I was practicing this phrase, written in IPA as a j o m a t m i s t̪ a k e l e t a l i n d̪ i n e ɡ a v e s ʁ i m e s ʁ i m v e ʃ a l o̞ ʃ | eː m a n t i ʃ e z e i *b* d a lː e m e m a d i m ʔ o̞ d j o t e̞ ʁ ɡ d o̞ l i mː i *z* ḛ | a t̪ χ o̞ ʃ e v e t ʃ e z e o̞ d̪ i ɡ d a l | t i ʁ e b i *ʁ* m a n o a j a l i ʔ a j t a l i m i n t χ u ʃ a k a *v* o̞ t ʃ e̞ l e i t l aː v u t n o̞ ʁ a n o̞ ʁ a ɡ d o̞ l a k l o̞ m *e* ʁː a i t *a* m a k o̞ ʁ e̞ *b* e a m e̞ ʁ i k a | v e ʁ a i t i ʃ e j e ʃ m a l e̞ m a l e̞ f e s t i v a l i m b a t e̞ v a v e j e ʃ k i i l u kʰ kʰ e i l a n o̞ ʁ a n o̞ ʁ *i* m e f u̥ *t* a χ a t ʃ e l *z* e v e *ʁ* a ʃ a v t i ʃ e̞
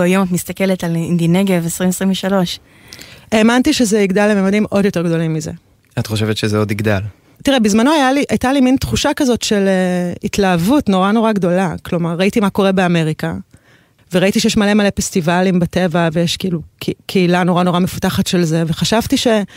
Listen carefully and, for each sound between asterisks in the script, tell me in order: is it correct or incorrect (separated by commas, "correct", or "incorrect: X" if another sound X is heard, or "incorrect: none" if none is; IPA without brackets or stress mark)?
incorrect: ɡ, correct, incorrect: z, incorrect: z, incorrect: a, incorrect: i, correct, incorrect: a, correct, correct, incorrect: χ